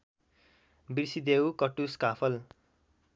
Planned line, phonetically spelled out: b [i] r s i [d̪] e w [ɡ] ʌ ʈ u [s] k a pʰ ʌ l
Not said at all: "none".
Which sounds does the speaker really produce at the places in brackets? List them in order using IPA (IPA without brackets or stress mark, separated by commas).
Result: i, d̪, k, s